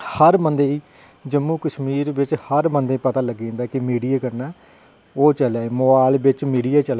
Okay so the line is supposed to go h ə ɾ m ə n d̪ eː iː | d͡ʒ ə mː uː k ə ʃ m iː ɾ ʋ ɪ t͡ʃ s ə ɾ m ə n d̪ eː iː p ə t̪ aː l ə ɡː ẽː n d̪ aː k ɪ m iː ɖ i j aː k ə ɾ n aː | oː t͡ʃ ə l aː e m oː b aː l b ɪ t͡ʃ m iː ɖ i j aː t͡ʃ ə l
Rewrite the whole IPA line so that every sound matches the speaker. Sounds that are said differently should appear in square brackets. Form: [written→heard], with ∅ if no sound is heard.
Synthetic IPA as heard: h ə ɾ m ə n d̪ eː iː | d͡ʒ ə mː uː k ə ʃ m iː ɾ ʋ ɪ t͡ʃ [s→h] ə ɾ m ə n d̪ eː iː p ə t̪ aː l ə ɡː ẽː n d̪ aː k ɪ m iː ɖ i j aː k ə ɾ n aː | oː t͡ʃ ə l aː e m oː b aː l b ɪ t͡ʃ m iː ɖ i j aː t͡ʃ ə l